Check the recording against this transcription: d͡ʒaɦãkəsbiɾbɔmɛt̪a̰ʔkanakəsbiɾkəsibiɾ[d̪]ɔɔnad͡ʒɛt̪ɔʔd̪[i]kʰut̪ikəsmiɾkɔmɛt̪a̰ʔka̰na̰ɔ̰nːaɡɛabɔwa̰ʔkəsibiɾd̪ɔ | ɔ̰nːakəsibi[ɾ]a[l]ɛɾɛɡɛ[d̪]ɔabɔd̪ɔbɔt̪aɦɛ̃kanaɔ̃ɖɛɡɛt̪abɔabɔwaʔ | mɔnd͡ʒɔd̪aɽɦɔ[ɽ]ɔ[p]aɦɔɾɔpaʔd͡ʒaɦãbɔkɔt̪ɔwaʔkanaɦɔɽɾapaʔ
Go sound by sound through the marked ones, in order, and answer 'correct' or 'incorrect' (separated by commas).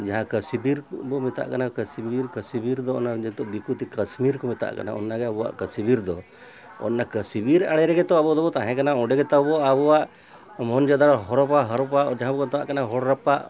correct, correct, correct, incorrect, incorrect, incorrect, correct